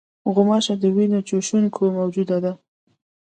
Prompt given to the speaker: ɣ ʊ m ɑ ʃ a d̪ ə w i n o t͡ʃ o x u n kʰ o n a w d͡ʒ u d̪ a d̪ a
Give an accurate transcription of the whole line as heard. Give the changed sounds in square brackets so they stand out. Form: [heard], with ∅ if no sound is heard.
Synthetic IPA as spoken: ɣ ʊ m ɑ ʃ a d̪ ə w i n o t͡ʃ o [ʃ] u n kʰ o [m] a w d͡ʒ u d̪ a d̪ a